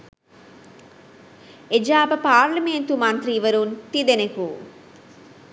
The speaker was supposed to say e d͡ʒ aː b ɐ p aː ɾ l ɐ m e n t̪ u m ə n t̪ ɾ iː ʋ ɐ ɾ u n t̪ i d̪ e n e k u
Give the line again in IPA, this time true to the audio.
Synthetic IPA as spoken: e d͡ʒ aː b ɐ p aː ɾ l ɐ m e n t̪ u m ɐ n t̪ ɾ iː ʋ ɐ ɾ u n t̪ i d̪ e n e k u